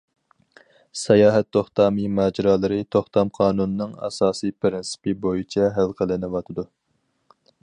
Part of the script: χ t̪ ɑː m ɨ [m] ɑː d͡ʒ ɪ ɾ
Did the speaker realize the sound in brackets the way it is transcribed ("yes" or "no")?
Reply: yes